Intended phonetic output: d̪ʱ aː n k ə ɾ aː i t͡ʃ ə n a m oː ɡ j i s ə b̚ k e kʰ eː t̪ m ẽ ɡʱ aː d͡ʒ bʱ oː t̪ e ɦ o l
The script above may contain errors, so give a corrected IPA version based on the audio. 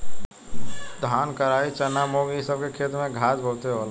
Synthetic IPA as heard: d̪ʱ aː n k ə ɾ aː i t͡ʃ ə n a m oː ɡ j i s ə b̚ k e kʰ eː t̪ m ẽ ɡʱ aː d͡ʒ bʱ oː t̪ e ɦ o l